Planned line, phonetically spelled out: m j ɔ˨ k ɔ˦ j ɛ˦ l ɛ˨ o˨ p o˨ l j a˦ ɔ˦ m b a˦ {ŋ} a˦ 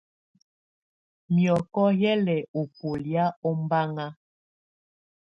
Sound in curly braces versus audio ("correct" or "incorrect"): correct